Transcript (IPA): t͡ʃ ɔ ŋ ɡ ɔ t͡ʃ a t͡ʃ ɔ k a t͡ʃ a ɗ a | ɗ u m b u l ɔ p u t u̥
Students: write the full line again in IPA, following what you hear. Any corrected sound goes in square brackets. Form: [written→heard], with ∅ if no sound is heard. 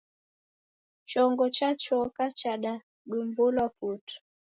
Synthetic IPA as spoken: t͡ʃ ɔ ŋ ɡ ɔ t͡ʃ a t͡ʃ ɔ k a t͡ʃ a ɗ a | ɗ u m b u l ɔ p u t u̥